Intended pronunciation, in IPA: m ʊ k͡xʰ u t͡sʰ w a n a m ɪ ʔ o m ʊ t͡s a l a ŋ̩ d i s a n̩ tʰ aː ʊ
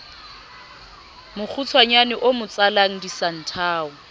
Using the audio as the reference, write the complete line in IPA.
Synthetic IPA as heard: m ʊ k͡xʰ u t͡sʰ w a ɲ a n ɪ ʔ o m ʊ t͡s a l a ŋ̩ d i s a n̩ tʰ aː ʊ